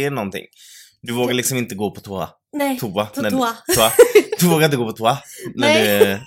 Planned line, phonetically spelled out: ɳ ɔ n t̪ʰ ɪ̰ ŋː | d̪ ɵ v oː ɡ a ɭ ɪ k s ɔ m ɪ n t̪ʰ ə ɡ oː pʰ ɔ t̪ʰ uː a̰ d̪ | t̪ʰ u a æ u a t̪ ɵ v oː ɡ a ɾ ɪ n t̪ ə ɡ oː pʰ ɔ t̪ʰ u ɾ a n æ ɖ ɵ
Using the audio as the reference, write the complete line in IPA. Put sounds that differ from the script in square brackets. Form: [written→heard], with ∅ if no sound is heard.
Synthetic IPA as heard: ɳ ɔ n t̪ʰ ɪ̰ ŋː | d̪ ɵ v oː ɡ a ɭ ɪ k s ɔ m ɪ n [t̪ʰ→t̪] ə ɡ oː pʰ ɔ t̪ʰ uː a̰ [d̪→∅] | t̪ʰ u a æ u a [t̪→d̪] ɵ v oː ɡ a ɾ ɪ n t̪ ə ɡ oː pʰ ɔ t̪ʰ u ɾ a n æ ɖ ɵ